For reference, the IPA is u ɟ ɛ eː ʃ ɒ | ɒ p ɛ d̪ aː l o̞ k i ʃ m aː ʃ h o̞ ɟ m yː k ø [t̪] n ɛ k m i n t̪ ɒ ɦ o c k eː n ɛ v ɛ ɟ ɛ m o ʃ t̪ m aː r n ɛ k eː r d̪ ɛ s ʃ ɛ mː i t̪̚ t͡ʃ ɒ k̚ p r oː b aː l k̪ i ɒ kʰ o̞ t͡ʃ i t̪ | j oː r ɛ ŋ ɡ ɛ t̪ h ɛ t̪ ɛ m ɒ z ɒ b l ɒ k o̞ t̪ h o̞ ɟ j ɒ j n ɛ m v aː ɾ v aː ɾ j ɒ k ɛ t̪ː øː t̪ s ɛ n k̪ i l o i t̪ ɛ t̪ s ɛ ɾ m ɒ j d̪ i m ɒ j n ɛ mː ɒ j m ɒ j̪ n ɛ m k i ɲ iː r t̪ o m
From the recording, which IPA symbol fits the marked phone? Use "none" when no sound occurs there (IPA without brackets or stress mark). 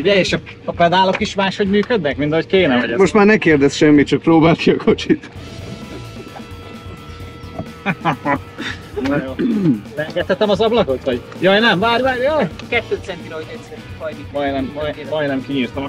d̪